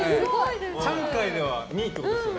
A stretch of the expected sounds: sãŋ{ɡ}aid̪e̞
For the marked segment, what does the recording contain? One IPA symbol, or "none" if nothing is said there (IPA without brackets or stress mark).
k